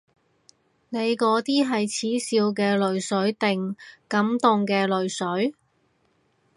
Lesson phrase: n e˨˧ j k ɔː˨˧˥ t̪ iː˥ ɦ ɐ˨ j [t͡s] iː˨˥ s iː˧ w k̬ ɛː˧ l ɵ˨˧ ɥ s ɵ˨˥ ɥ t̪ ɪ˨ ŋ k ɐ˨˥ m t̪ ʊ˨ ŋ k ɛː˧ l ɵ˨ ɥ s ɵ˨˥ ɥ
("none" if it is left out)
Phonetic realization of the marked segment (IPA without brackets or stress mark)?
t͡sʰ